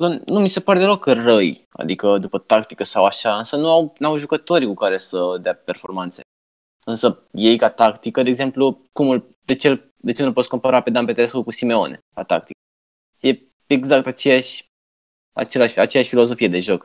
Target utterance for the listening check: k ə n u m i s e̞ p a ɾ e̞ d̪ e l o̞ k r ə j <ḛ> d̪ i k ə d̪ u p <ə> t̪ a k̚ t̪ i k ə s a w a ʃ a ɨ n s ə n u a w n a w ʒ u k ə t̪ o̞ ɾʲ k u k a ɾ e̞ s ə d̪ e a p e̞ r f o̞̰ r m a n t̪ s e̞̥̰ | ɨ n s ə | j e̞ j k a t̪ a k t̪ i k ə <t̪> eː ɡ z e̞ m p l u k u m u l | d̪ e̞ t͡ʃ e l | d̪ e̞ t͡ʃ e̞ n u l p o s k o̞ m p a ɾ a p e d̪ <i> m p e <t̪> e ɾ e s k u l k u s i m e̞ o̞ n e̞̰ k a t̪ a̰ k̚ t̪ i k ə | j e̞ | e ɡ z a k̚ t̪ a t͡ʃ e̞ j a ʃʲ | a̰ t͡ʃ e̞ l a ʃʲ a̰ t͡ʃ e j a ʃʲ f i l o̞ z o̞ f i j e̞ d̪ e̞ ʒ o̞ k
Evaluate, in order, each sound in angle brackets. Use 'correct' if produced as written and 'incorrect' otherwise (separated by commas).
incorrect, correct, incorrect, incorrect, correct